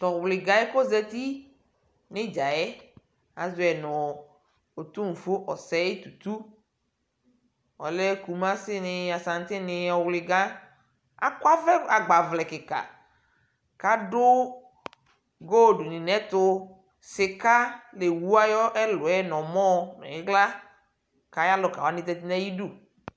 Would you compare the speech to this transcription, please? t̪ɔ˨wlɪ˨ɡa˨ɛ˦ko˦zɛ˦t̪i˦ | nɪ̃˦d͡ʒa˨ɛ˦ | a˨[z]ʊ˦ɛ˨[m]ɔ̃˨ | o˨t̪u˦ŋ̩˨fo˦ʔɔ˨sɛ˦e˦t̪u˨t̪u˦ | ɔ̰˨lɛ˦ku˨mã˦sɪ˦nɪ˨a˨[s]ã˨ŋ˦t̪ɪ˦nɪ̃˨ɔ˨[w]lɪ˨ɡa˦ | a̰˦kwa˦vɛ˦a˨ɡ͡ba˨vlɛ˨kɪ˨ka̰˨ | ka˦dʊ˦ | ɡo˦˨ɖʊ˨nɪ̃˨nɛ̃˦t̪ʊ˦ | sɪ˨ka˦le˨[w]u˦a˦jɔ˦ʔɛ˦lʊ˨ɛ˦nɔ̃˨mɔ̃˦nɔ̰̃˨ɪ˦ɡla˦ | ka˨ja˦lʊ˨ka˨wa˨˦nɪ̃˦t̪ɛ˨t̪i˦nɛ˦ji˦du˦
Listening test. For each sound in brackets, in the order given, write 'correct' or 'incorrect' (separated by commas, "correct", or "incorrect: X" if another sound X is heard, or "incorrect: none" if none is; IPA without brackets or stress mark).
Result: correct, incorrect: n, correct, correct, correct